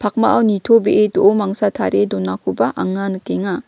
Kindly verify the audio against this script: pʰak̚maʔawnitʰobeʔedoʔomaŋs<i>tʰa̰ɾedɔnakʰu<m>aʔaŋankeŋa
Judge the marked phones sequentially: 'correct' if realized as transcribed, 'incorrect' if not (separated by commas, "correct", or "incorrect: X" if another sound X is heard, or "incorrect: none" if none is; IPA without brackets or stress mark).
incorrect: a, incorrect: b